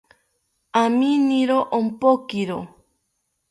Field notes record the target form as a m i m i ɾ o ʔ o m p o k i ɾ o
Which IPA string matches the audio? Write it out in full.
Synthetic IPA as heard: a m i n i ɾ o ʔ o m p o k i ɾ o